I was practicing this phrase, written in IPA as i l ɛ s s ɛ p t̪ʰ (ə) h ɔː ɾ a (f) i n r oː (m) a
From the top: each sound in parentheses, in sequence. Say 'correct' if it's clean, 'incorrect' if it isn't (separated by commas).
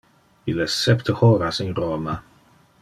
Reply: correct, incorrect, correct